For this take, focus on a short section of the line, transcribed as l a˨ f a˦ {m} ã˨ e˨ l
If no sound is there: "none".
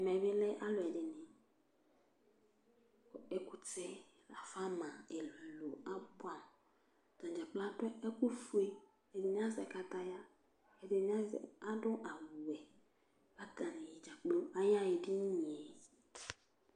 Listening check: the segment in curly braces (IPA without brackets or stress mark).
m